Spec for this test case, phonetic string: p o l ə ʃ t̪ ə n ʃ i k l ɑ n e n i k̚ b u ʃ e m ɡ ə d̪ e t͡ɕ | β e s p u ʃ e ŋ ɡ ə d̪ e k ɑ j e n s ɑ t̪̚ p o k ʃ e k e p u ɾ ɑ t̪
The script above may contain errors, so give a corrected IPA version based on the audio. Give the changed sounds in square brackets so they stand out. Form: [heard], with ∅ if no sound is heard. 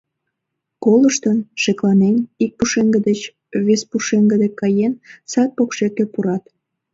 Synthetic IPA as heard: [k] o l ə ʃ t̪ ə n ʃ [e] k l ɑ n e n i k̚ [p] u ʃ e [ŋ] ɡ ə d̪ e t͡ɕ | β e s p u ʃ e ŋ ɡ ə d̪ e k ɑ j e n s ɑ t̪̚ p o k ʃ e k e p u ɾ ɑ t̪